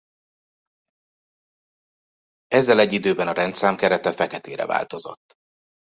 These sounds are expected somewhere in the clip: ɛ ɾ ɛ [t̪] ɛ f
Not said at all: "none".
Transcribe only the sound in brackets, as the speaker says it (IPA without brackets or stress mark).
t̪